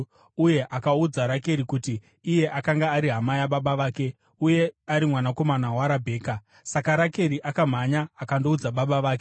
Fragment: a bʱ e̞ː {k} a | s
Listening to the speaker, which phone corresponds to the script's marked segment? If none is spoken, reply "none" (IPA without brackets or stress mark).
k